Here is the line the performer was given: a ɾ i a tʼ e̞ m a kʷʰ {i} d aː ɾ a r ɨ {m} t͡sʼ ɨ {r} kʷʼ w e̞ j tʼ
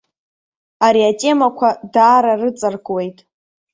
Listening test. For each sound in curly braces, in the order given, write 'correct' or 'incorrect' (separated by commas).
incorrect, incorrect, correct